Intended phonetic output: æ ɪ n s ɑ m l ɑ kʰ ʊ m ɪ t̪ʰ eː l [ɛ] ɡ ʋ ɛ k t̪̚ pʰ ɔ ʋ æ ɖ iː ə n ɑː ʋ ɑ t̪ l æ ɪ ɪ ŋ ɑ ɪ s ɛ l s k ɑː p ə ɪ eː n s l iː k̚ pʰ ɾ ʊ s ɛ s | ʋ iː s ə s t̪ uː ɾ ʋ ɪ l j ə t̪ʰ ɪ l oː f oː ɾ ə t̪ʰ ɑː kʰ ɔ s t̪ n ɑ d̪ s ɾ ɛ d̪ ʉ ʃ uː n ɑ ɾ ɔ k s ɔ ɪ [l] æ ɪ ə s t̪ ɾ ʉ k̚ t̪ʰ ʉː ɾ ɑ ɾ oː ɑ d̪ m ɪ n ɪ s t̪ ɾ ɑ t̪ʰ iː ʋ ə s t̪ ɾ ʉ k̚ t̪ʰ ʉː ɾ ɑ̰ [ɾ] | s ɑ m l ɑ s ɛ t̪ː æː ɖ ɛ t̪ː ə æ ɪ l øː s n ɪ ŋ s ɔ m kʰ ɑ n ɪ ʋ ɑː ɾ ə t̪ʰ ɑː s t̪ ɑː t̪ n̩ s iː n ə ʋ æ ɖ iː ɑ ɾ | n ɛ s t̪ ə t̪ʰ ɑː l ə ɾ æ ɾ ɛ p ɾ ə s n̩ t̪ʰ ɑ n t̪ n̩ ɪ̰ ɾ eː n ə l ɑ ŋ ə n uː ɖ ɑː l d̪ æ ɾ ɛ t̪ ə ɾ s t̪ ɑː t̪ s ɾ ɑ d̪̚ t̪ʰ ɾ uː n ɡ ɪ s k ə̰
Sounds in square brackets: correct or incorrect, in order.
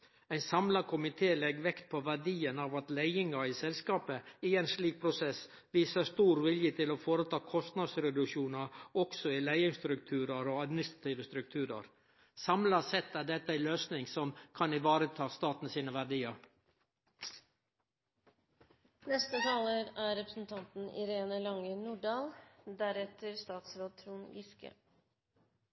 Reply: correct, correct, correct

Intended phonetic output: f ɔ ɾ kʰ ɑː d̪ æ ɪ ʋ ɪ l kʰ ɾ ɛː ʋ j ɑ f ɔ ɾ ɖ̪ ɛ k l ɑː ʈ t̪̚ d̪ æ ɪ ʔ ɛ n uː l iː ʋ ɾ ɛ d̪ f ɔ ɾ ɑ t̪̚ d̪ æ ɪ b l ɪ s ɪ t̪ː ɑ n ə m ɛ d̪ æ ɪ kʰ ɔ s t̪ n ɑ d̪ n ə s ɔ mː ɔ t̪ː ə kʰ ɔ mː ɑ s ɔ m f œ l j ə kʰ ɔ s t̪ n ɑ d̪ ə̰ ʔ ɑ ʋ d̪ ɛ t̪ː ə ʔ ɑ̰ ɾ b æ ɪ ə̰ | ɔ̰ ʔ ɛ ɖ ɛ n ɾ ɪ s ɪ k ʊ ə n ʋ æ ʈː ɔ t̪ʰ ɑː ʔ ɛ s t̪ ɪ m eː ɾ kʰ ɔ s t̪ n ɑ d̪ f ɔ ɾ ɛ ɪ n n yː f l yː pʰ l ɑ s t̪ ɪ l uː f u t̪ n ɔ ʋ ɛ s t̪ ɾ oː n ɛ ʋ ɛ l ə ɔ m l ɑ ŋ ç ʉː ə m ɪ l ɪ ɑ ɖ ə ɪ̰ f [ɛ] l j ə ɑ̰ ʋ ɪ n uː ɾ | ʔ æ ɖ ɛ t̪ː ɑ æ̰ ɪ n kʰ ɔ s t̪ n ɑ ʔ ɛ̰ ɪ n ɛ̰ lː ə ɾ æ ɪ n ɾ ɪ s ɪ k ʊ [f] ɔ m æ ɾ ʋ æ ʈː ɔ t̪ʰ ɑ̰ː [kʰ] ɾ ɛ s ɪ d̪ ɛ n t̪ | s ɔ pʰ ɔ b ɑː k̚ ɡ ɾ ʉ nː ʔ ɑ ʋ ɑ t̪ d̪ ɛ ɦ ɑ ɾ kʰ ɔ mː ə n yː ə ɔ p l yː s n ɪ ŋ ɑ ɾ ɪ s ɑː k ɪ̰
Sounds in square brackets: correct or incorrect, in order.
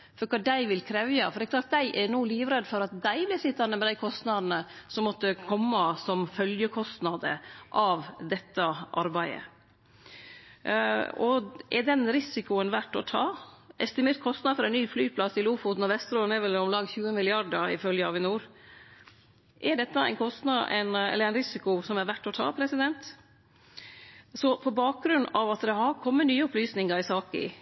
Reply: incorrect: œ, incorrect: s, incorrect: pʰ

